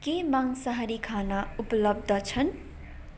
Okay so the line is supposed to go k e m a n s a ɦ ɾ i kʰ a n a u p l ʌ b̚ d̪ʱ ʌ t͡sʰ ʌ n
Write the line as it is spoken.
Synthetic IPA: k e m a ŋ s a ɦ ɾ i kʰ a n a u p l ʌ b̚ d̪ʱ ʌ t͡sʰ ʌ n